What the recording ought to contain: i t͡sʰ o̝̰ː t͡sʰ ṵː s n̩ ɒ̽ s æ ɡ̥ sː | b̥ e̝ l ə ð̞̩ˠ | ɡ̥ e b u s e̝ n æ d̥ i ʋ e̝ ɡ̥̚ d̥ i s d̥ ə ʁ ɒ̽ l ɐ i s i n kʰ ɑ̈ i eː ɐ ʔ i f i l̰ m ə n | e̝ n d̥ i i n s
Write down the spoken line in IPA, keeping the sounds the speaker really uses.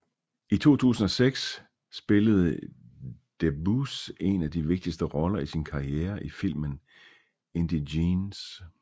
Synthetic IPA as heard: i t͡sʰ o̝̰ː t͡sʰ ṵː s n̩ ɒ̽ s e ɡ̥ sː | b̥ e̝ l ə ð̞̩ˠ | d̥ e b u s e̝ n æ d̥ i ʋ e̝ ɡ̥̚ d̥ i s d̥ ə ʁ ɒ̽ l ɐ i s i n kʰ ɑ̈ i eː ɐ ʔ i f i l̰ m ə n | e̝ n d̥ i i n s